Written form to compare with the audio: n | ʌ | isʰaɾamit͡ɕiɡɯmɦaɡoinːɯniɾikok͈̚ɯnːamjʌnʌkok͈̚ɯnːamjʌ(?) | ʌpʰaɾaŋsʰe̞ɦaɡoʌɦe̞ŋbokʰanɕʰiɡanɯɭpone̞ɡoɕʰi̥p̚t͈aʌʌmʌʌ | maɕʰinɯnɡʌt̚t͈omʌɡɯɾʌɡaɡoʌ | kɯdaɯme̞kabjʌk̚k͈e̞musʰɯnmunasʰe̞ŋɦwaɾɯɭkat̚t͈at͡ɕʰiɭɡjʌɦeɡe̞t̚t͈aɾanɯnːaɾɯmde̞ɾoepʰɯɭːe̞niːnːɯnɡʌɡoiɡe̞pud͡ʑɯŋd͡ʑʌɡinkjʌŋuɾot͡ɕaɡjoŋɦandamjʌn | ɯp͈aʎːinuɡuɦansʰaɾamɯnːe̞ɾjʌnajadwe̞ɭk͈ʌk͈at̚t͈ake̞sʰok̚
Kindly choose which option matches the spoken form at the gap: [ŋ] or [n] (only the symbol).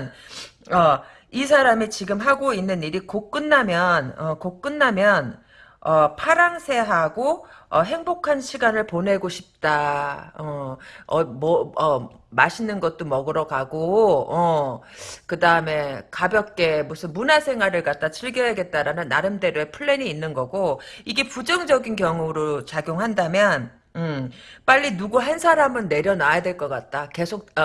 n